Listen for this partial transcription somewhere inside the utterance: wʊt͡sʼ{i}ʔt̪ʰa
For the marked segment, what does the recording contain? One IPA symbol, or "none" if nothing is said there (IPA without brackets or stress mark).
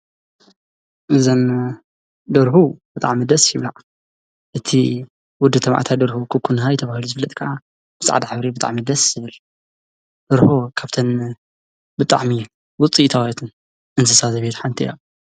i